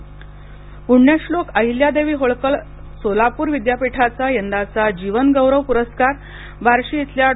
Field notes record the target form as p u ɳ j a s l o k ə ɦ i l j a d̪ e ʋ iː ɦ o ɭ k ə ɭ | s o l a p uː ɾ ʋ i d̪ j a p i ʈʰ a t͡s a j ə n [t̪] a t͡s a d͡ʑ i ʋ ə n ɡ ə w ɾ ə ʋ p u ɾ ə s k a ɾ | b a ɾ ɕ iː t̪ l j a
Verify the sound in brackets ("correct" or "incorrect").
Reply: incorrect